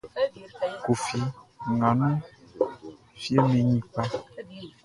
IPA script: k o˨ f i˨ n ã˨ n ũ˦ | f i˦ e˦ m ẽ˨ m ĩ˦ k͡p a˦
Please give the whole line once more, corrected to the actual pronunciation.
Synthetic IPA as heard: k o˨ f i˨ ŋ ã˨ n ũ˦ | f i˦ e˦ m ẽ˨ ɲ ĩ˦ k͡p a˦